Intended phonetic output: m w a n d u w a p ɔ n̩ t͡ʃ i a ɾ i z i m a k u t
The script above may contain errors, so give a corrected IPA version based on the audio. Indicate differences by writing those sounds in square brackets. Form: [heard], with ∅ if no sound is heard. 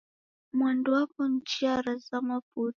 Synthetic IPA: m w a n d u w a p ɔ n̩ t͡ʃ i a ɾ [a] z [a] m a [p] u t